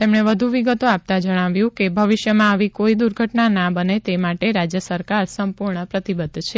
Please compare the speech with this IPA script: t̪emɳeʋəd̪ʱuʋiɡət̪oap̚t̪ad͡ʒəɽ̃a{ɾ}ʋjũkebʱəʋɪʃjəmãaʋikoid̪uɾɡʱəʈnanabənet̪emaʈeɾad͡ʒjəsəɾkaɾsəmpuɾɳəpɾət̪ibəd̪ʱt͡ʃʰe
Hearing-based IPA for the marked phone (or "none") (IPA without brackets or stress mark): none